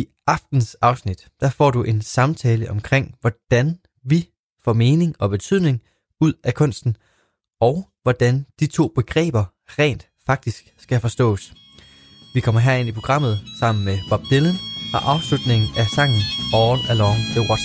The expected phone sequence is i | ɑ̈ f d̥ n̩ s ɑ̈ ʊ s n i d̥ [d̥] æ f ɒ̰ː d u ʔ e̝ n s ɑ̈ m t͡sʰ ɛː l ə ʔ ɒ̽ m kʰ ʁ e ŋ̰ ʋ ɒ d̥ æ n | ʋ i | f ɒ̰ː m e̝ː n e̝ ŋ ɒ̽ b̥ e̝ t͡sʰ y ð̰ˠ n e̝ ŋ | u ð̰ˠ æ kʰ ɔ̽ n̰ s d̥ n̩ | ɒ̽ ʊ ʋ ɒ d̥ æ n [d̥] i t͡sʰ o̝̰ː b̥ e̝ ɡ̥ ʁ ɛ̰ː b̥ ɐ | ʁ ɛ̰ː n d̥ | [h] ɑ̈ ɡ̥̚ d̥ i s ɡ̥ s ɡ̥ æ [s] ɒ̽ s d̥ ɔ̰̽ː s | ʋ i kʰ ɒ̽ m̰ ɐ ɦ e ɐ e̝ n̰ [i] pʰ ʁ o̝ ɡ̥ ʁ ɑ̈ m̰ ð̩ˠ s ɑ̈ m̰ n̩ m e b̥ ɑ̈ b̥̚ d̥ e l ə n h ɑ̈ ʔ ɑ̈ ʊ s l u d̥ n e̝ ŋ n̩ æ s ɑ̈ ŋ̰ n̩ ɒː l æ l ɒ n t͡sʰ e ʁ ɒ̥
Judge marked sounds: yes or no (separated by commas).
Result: yes, yes, no, no, yes